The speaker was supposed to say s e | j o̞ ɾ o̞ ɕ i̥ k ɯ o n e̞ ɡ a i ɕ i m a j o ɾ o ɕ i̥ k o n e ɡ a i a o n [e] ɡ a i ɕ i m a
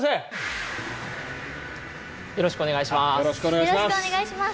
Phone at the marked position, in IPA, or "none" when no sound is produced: e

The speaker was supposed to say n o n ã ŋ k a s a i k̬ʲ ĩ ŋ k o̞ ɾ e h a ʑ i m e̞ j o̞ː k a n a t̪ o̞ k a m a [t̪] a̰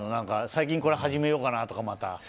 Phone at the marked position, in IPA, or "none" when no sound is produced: t̪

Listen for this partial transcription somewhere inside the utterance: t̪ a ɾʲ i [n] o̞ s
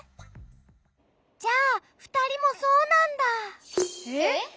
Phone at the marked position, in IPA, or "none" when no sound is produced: m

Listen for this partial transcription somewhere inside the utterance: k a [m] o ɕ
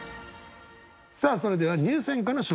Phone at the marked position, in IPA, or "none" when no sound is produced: n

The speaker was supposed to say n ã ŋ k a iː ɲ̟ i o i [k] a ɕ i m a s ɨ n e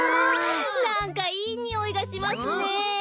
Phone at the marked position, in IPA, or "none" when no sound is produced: ɡ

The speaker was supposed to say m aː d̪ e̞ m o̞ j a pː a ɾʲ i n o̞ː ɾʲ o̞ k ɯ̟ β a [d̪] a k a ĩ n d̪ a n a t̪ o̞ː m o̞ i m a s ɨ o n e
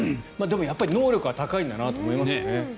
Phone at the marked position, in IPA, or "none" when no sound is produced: t̪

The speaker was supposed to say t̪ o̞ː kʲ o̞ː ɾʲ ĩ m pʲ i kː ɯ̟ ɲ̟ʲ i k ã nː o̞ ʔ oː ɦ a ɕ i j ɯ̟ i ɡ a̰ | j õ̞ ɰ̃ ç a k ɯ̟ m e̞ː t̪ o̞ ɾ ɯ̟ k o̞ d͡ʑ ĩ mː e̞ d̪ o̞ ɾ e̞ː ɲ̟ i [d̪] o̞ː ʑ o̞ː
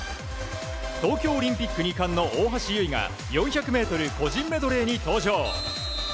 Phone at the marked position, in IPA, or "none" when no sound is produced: t̪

